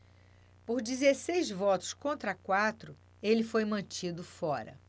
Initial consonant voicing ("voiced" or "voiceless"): voiceless